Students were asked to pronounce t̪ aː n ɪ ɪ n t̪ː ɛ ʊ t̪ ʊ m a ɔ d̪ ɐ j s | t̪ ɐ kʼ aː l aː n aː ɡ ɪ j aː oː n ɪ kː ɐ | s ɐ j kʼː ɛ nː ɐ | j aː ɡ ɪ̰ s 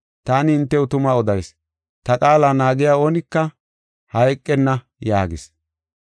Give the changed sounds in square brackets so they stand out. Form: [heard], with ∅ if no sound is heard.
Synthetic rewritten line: t̪ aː n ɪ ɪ n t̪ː ɛ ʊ t̪ ʊ m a ɔ d̪ ɐ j s | t̪ ɐ kʼ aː l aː n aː ɡ ɪ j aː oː n ɪ kː ɐ | [h] ɐ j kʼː ɛ nː ɐ | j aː ɡ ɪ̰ s